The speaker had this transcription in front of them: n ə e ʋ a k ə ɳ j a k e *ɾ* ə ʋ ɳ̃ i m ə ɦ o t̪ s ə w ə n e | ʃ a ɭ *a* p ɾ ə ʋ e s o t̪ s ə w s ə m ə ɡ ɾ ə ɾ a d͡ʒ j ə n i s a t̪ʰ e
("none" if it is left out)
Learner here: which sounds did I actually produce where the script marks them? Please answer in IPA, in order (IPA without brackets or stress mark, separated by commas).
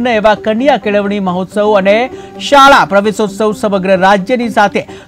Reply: ɭ, a